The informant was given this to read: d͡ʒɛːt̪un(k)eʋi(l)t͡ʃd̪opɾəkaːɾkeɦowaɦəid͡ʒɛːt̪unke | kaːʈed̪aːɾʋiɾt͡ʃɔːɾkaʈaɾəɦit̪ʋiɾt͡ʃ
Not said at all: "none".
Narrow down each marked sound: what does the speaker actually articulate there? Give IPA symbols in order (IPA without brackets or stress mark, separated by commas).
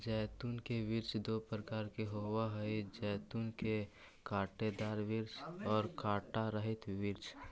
k, ɾ